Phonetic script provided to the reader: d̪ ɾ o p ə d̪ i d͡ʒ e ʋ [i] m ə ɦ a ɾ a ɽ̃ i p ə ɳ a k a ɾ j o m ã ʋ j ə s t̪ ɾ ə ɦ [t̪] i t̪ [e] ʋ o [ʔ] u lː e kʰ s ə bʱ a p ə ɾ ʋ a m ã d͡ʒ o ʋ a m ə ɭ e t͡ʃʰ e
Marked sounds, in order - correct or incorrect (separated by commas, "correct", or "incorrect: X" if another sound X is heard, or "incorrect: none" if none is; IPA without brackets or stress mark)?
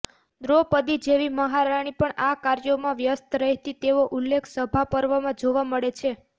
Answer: correct, correct, correct, correct